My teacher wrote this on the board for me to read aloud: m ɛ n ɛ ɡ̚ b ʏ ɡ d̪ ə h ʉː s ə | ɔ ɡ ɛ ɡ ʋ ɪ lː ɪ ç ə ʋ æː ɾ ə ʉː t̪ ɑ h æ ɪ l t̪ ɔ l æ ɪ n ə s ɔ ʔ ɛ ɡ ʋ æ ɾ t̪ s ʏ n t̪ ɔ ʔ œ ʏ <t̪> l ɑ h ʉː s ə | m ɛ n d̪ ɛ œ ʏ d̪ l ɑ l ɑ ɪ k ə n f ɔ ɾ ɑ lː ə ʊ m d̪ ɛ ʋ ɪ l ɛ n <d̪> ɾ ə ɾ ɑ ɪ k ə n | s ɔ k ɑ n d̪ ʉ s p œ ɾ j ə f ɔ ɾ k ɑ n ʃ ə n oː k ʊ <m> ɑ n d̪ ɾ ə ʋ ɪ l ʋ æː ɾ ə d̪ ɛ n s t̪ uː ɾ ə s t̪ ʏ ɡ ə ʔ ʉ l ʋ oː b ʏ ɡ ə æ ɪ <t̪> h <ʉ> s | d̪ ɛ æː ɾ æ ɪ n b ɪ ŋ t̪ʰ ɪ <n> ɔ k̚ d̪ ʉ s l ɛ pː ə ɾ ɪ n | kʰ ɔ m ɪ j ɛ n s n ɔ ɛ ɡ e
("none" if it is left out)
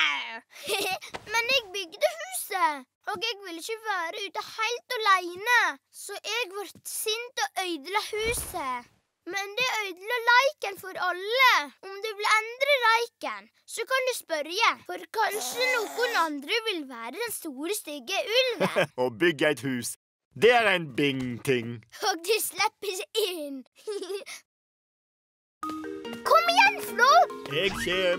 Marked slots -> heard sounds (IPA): d̪, d̪, n, t̪, ʉː, ŋ

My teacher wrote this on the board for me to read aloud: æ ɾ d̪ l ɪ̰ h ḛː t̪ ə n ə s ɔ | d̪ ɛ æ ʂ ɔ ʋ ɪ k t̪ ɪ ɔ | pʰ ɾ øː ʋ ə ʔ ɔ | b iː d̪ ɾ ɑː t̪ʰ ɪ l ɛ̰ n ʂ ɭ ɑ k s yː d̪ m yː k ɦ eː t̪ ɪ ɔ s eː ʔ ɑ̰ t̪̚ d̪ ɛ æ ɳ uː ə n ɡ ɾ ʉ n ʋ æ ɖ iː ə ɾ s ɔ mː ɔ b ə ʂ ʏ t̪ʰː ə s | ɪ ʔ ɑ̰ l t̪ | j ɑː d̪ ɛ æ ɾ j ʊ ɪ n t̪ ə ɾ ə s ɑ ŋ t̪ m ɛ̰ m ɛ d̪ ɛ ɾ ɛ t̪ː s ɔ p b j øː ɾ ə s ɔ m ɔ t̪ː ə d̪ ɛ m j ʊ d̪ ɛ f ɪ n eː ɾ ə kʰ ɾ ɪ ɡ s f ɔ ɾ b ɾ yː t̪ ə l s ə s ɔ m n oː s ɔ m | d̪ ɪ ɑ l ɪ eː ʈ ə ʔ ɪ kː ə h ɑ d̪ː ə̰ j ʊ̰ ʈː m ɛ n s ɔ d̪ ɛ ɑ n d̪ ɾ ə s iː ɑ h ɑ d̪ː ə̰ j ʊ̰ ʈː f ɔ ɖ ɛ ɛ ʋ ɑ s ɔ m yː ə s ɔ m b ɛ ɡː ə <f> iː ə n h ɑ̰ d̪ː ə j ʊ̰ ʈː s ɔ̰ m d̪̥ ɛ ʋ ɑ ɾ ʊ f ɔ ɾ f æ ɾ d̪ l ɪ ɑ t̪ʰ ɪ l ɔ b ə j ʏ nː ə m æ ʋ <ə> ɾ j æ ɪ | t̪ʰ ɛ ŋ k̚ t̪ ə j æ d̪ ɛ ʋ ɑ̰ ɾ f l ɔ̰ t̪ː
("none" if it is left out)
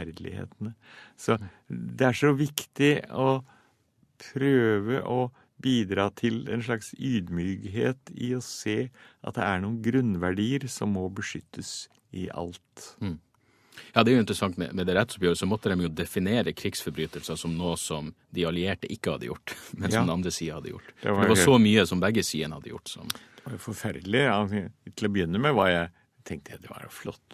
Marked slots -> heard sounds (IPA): s, ɑ

